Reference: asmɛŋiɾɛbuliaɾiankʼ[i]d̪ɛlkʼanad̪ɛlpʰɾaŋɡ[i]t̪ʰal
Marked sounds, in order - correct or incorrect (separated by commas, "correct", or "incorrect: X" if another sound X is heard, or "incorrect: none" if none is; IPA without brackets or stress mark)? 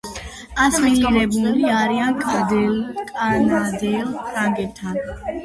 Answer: incorrect: a, incorrect: ɛ